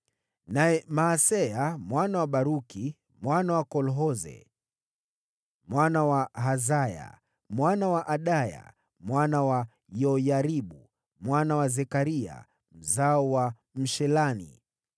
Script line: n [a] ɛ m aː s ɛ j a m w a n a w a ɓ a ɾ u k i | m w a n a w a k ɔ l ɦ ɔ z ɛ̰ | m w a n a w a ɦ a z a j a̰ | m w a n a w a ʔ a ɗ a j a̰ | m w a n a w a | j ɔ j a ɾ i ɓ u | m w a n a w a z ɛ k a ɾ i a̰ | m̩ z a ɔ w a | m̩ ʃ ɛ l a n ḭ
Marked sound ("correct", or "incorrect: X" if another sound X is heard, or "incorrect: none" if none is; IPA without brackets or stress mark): correct